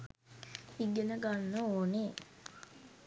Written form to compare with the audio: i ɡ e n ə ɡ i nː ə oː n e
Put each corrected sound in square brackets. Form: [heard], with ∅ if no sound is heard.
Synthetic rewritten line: i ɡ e n ə ɡ [a] nː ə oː n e

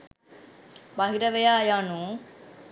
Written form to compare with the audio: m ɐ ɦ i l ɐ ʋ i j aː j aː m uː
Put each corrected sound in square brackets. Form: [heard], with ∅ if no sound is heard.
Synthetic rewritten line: [b] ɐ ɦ i [ɾ] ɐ ʋ [e] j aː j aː [n] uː

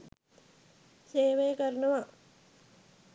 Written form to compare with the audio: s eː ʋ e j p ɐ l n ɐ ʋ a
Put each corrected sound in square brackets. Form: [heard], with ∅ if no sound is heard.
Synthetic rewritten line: s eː ʋ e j [k] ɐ [ɾ] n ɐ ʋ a

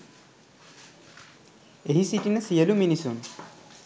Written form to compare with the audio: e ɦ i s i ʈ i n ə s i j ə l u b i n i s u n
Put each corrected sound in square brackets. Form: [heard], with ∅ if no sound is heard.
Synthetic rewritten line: e ɦ i s i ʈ i n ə s i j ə l u [m] i n i s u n

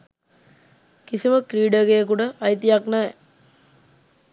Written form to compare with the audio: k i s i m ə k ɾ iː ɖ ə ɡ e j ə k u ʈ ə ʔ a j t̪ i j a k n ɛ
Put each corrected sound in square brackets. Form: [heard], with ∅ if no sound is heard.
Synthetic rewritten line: k i s i m ə k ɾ iː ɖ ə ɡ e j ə k u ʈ ə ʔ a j t̪ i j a k n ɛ

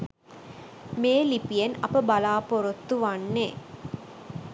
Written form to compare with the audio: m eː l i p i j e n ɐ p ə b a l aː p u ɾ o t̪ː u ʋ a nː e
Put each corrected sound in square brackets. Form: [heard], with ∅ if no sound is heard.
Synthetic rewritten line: m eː l i p i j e n ɐ p ə b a l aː p [o] ɾ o t̪ː u ʋ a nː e

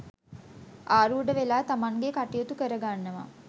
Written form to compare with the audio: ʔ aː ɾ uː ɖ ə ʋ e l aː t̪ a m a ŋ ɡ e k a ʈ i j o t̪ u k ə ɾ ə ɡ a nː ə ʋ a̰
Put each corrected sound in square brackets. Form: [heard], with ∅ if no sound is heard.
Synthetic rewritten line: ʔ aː ɾ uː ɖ ə ʋ e l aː t̪ a m a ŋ ɡ e k a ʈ i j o t̪ u k ə ɾ ə ɡ a nː ə ʋ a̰

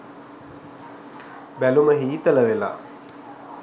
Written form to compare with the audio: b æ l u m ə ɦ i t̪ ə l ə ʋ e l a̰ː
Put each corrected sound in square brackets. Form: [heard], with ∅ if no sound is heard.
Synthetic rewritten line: b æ l u m ə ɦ [iː] t̪ ə l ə ʋ e l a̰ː

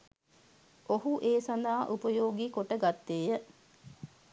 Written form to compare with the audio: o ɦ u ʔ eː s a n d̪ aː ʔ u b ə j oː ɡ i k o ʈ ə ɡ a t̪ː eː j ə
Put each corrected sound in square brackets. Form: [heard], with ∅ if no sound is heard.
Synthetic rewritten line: o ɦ u ʔ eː s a n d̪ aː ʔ u [p] ə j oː ɡ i k o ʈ ə ɡ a t̪ː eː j ə

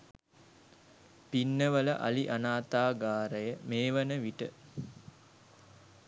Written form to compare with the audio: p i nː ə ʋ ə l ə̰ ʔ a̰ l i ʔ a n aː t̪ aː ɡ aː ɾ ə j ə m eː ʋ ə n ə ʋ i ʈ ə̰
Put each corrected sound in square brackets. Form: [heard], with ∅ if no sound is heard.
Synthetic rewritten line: p i nː ə ʋ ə l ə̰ ʔ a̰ l i ʔ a n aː t̪ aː ɡ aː ɾ ə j ə m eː ʋ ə n ə ʋ i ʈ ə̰

